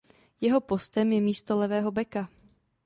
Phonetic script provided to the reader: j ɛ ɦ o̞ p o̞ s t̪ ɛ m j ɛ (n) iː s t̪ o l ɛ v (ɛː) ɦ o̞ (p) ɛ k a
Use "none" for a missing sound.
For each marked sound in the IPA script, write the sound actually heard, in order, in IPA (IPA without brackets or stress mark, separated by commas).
m, ɛː, b